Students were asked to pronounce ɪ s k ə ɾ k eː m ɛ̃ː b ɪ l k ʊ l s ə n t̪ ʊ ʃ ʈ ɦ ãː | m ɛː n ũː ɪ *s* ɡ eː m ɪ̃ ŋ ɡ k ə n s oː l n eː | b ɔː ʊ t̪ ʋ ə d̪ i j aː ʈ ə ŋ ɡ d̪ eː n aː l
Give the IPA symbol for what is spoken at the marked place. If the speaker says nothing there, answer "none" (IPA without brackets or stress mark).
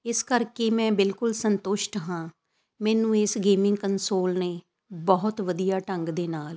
s